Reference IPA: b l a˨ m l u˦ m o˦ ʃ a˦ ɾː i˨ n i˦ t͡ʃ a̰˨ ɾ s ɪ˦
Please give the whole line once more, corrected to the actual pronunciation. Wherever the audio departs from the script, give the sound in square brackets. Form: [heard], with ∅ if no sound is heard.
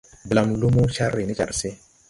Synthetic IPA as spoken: b l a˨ m l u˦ m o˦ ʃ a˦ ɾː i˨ n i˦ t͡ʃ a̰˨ ɾ s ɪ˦